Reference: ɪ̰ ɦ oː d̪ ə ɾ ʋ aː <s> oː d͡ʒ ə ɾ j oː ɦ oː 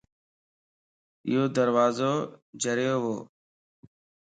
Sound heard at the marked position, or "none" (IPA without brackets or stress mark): z